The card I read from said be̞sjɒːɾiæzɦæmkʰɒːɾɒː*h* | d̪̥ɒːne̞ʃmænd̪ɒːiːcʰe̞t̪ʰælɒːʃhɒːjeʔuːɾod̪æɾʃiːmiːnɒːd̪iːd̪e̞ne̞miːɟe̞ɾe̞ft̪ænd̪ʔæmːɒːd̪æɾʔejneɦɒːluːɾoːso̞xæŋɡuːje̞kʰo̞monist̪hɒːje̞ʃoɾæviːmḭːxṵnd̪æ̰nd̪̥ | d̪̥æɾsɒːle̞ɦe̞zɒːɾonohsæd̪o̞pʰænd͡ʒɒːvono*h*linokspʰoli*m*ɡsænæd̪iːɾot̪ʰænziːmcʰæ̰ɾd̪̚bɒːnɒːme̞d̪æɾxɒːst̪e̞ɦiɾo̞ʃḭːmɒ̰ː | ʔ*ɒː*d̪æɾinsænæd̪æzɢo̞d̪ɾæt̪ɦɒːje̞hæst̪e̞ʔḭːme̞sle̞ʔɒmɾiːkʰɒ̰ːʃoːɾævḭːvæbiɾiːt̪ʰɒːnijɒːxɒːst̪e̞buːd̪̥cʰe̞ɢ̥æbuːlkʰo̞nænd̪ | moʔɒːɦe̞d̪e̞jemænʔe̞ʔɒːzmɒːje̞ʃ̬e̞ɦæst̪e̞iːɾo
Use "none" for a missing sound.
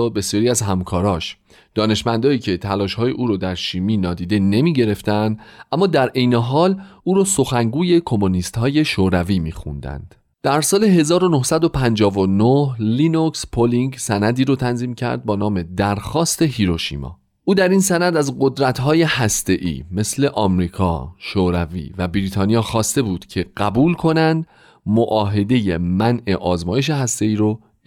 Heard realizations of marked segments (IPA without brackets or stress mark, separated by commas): ʃ, h, ŋ, uː